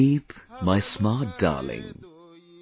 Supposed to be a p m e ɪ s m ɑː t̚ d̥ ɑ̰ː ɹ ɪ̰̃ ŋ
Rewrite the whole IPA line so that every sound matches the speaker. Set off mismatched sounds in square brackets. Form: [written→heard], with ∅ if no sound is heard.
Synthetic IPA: [a→i] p m [e→a] ɪ s m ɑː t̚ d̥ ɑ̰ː [ɹ→l] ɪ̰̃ ŋ